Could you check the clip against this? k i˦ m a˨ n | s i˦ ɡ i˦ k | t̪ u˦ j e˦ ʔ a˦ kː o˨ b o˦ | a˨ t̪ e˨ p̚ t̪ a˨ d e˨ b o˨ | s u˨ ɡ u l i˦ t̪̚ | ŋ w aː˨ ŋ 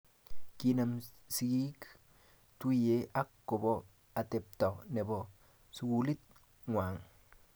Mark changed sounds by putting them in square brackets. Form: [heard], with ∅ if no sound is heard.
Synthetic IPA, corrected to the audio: k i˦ [n] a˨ [m] | s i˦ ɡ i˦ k | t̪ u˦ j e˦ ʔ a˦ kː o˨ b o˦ | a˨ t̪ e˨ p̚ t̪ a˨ [n] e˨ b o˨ | s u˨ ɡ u l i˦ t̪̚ | ŋ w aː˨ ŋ